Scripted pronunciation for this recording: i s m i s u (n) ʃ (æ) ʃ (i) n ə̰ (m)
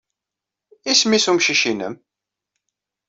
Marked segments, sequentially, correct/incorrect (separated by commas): incorrect, incorrect, correct, correct